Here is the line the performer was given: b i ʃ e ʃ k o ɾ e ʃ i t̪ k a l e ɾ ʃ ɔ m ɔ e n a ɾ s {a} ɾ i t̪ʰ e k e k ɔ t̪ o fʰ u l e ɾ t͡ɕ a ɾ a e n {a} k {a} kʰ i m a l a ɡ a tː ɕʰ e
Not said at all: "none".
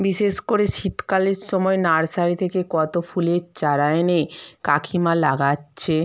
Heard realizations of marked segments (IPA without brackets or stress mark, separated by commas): a, e, a